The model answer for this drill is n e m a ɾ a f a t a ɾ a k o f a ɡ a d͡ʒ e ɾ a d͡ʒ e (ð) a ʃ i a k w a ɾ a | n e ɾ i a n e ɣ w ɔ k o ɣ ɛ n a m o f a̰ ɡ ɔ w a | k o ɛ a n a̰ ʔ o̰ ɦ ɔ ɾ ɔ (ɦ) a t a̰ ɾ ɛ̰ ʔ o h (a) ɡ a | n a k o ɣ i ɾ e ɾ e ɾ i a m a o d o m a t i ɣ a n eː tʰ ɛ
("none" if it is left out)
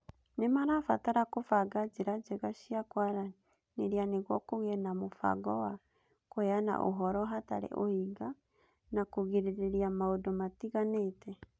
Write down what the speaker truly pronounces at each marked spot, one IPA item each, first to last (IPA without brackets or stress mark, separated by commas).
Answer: ɣ, ɦ, i